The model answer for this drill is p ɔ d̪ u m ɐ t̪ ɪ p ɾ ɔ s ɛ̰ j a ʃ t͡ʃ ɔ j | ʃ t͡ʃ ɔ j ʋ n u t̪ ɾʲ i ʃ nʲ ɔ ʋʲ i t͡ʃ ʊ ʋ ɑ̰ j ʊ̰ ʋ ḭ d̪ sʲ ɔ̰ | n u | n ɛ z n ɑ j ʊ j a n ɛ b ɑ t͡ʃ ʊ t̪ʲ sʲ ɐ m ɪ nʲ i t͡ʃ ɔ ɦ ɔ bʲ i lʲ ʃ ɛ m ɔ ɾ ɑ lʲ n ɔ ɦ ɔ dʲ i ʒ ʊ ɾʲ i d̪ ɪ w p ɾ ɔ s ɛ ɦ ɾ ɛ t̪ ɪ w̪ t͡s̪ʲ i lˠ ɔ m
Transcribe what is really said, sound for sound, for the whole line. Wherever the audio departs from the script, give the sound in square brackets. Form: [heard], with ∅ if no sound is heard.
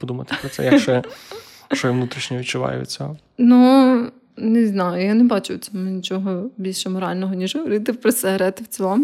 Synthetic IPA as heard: p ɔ d̪ u m ɐ t̪ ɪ p ɾ ɔ s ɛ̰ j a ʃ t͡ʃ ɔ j | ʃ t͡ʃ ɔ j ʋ n u t̪ ɾʲ i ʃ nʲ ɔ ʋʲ i t͡ʃ ʊ ʋ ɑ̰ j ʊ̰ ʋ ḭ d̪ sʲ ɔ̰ | n u | n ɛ z n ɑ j ʊ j a n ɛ b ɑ t͡ʃ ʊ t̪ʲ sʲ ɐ m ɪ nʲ i t͡ʃ ɔ ɦ ɔ bʲ i lʲ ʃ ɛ m ɔ ɾ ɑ lʲ n ɔ ɦ ɔ [nʲ] i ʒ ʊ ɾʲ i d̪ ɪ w p ɾ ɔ s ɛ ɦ ɾ ɛ t̪ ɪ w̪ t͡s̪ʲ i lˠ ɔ m